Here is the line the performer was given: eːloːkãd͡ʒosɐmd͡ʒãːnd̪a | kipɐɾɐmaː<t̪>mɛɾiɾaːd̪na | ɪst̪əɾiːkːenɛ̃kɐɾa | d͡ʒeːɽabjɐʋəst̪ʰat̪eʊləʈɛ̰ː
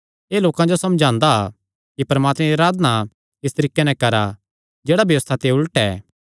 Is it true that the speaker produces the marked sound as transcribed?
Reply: yes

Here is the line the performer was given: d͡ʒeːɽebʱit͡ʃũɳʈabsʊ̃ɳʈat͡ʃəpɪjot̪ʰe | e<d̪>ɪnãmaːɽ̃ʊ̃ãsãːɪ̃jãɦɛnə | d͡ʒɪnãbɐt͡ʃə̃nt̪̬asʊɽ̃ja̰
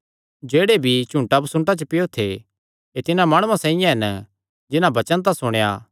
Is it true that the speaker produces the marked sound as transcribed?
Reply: no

